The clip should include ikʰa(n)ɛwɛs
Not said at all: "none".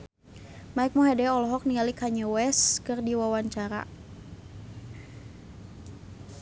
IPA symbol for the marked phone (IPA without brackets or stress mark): ɲ